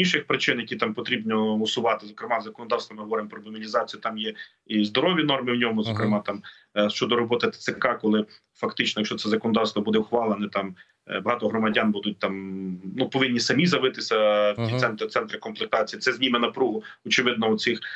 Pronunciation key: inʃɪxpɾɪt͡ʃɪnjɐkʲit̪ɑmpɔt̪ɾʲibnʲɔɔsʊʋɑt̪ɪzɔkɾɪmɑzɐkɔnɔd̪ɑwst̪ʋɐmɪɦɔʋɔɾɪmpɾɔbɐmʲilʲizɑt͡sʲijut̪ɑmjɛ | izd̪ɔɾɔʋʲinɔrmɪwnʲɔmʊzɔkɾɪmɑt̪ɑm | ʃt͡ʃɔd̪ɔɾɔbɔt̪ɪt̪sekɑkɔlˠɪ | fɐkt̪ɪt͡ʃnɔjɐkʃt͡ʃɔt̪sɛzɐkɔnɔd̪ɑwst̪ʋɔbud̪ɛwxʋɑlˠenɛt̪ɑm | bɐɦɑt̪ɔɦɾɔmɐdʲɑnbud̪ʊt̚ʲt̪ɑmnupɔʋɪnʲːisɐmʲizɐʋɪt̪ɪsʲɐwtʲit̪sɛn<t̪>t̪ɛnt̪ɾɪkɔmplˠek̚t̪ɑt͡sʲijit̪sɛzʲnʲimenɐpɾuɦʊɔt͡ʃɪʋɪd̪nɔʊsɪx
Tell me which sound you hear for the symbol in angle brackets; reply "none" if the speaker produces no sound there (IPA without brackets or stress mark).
t̪